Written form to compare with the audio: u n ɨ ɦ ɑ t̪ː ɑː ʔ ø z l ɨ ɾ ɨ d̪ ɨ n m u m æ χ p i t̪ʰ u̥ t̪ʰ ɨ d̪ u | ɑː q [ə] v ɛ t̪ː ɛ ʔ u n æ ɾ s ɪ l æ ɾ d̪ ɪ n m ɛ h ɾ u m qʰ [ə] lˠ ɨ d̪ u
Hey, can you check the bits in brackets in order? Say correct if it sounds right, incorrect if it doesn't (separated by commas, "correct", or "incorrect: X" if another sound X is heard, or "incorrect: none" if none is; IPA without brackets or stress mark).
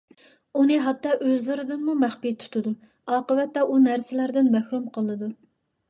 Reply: correct, correct